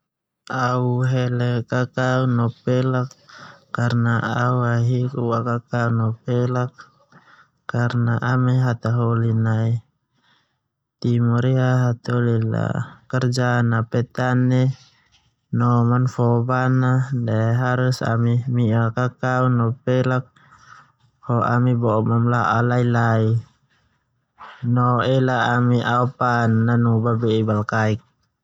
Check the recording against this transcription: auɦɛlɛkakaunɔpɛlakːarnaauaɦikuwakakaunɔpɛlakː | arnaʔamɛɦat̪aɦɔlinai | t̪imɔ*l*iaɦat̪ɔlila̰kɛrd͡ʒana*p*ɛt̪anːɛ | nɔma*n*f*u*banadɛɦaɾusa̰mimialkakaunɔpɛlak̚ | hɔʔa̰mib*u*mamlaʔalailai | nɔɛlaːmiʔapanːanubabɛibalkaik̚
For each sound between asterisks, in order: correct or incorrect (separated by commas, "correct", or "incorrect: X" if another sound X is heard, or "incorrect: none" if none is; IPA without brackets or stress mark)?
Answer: incorrect: ɾ, correct, correct, incorrect: ɔ, incorrect: ɔ